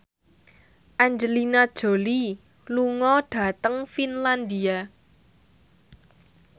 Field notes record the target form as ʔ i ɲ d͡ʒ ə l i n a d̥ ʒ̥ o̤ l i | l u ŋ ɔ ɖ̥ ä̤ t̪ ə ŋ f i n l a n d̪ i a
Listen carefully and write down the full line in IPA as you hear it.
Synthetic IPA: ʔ a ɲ d͡ʒ ə l i n a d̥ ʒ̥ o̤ l i | l u ŋ ɔ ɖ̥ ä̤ t̪ ə ŋ f i n l a n d̪ i a